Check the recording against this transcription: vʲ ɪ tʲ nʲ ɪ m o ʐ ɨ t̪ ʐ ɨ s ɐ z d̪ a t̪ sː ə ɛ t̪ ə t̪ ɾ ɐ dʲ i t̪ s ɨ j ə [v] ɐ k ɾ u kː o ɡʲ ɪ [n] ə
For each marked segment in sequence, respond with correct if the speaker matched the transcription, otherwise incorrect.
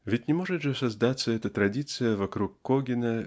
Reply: correct, correct

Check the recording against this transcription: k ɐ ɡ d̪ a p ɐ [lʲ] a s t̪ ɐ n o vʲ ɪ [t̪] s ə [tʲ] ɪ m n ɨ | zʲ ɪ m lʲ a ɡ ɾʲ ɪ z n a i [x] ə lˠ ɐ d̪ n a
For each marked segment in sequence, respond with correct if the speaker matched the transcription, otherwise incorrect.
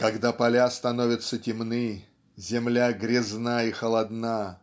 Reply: correct, correct, correct, correct

